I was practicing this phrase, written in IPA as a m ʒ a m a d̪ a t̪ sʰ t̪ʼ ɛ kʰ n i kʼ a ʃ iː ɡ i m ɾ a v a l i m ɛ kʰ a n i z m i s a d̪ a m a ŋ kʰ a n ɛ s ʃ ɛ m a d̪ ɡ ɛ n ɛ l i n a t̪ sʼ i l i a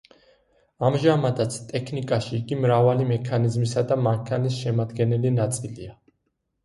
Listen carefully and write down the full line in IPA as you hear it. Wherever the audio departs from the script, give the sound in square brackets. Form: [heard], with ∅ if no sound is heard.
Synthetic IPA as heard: a m ʒ a m a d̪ a t̪ sʰ t̪ʼ ɛ kʰ n i kʼ a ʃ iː ɡ i m ɾ a v a l i m ɛ kʰ a n i z m i s a d̪ a m a ŋ kʰ a n [i] s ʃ ɛ m a d̪ ɡ ɛ n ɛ l i n a t̪ sʼ i l i a